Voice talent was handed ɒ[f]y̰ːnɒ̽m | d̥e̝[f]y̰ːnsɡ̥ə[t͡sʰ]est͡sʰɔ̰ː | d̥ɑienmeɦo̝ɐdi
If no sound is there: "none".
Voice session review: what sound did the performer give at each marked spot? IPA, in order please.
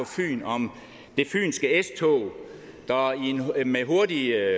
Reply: f, f, none

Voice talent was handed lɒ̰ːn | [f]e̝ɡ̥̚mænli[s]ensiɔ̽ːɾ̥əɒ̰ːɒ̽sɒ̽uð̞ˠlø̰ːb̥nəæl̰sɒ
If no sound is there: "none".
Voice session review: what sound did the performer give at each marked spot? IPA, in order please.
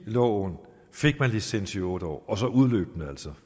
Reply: f, s

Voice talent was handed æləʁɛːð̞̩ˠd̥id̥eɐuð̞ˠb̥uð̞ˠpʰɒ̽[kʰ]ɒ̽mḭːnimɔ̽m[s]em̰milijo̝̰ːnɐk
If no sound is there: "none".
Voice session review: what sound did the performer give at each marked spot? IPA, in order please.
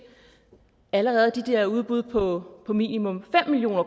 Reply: pʰ, f

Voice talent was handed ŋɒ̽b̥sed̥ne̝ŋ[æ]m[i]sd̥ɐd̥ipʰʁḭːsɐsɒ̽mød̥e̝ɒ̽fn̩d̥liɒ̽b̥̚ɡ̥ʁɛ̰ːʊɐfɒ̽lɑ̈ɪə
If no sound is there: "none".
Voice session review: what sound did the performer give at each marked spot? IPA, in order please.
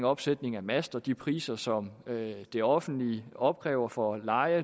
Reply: æ, æ

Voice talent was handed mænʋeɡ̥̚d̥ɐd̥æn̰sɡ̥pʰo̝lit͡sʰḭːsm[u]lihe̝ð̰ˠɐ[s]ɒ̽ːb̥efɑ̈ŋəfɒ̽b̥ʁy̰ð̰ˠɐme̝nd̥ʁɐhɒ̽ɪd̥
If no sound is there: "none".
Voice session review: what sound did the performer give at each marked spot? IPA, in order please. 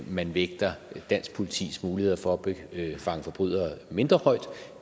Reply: uː, f

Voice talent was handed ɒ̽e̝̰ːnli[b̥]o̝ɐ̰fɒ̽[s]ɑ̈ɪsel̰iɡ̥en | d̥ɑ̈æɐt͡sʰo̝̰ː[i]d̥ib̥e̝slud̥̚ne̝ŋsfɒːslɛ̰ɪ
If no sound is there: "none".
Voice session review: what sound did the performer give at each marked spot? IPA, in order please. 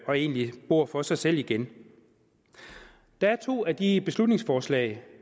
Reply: b̥, s, æ

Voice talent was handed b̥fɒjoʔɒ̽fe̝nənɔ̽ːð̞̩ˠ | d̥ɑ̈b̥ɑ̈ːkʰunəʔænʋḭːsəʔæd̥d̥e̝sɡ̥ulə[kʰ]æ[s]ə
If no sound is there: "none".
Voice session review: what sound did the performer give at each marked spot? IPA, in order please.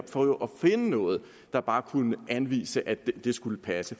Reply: pʰ, s

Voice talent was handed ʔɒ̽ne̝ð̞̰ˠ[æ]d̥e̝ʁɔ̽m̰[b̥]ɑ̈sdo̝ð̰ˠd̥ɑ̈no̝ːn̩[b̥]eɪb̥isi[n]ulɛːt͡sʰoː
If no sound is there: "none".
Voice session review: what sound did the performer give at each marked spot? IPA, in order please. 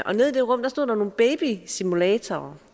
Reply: i, d̥, b̥, m

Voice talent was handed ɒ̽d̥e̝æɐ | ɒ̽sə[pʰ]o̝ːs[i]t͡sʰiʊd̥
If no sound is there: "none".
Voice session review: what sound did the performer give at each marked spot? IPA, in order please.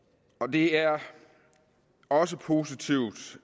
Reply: pʰ, i

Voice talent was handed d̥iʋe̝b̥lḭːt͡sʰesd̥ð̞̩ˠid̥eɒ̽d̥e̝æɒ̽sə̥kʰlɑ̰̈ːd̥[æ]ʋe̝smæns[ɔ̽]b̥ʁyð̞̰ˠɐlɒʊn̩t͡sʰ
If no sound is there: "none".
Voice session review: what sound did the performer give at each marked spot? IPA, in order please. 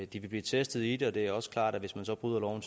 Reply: æ, ɒ̽

